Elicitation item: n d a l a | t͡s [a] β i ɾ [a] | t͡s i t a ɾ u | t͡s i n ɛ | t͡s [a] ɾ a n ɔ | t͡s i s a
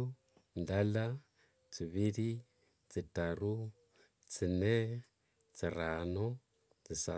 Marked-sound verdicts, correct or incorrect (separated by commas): incorrect, incorrect, incorrect